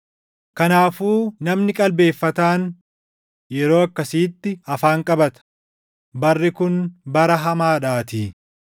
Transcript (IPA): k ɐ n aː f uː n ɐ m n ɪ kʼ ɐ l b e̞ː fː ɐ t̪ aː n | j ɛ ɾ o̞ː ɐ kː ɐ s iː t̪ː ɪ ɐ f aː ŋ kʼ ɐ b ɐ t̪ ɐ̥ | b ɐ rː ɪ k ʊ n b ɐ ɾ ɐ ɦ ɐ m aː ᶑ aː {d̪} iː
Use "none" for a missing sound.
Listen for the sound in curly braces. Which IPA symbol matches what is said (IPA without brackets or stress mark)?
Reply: t̪